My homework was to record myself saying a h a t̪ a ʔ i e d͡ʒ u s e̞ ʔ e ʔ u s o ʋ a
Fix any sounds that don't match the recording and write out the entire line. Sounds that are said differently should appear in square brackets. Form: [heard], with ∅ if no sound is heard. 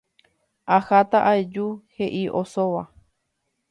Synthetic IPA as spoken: a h a t̪ a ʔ [a] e d͡ʒ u [h] e̞ ʔ [i] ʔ [o] s o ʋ a

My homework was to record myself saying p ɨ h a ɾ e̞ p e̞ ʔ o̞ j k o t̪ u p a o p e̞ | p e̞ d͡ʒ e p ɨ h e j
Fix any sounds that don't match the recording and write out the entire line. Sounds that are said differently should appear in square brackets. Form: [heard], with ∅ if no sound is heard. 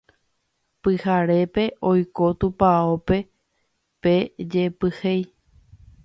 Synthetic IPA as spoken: p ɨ h a ɾ e̞ p e̞ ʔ o̞ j k o t̪ u p a o p e̞ | p e̞ d͡ʒ e p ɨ h e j

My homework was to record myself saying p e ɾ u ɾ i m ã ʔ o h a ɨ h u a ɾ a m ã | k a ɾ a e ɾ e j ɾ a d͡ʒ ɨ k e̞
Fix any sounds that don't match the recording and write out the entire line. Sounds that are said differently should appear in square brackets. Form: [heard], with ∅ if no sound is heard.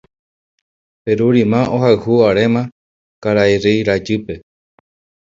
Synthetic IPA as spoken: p e ɾ u ɾ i m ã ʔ o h a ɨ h u a ɾ [e] m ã | k a ɾ a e ɾ e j ɾ a d͡ʒ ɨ [p] e̞

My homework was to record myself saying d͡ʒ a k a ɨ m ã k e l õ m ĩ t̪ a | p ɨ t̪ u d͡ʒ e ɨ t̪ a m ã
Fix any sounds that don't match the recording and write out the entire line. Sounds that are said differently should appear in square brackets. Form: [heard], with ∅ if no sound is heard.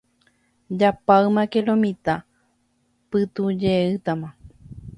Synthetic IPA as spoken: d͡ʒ a [p] a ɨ m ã k e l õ m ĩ t̪ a | p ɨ t̪ u d͡ʒ e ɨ t̪ a m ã

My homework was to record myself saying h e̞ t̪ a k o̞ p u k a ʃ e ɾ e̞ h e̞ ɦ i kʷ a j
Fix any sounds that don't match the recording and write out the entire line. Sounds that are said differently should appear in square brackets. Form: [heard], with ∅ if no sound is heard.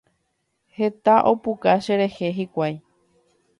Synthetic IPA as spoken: h e̞ t̪ a [ʔ] o̞ p u k a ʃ e ɾ e̞ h e̞ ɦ i kʷ a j

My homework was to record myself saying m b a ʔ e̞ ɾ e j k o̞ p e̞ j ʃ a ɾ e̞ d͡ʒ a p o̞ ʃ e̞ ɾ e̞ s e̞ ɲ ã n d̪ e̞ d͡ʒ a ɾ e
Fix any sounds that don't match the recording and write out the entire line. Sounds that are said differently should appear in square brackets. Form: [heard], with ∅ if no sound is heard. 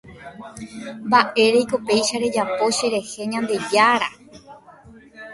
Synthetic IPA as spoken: m b a ʔ e̞ ɾ e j k o̞ p e̞ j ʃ a ɾ e̞ d͡ʒ a p o̞ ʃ e̞ ɾ e̞ [h] e̞ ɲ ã n d̪ e̞ d͡ʒ a ɾ [a]

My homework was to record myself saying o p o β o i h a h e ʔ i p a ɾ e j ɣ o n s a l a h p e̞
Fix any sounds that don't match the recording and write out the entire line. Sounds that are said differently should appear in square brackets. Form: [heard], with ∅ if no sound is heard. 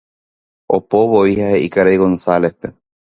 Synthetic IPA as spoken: o p o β o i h a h e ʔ i [k] a ɾ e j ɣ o n s a l [e] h p e̞

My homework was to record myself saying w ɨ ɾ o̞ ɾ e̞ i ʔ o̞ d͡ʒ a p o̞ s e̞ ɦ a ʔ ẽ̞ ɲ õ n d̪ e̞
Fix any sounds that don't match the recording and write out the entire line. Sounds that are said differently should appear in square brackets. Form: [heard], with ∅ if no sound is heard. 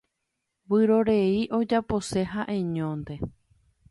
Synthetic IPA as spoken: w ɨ ɾ o̞ ɾ e̞ i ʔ o̞ d͡ʒ a p o̞ s e̞ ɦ a ʔ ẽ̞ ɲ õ n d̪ e̞

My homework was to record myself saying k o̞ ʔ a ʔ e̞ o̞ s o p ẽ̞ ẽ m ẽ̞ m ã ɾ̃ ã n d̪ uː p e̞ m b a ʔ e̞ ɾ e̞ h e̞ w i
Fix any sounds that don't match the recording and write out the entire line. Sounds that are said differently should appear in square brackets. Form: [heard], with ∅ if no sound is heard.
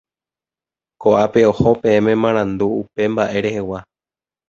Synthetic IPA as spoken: k o̞ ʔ a [p] e̞ o̞ [h] o p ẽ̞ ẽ m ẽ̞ m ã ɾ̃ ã n d̪ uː p e̞ m b a ʔ e̞ ɾ e̞ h e̞ w [a]

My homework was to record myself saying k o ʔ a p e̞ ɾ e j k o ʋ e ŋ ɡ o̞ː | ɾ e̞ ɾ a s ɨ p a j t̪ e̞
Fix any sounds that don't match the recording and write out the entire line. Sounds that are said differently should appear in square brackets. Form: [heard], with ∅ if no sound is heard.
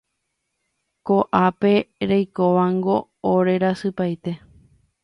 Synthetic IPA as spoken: k o ʔ a p e̞ ɾ e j k o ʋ [a] ŋ ɡ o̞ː | ɾ e̞ ɾ a s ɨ p a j t̪ e̞

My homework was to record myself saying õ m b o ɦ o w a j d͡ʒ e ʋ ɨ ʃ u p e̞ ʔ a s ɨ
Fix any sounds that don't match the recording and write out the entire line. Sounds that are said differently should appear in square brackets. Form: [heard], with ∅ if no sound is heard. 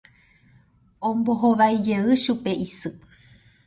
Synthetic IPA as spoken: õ m b o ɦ o [ʋ] a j d͡ʒ e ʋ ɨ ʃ u p e̞ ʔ [i] s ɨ

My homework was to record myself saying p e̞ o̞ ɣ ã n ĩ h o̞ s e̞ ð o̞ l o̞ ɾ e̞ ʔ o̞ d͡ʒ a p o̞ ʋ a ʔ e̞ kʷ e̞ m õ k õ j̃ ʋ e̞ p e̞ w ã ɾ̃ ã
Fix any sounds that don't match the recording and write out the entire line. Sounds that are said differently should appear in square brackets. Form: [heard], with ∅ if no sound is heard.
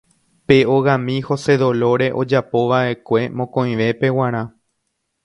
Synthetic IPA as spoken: p e̞ o̞ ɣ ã [m] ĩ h o̞ s e̞ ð o̞ l o̞ ɾ e̞ ʔ o̞ d͡ʒ a p o̞ ʋ a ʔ e̞ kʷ e̞ m õ k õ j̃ ʋ e̞ p e̞ w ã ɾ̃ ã

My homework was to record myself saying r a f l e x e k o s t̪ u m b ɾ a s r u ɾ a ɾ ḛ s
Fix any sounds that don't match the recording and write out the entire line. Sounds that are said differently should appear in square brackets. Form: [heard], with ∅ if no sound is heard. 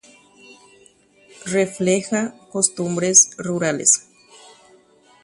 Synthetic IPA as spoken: r [e] f l e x [a] k o s t̪ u m b ɾ [e] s r u ɾ a [l] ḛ s

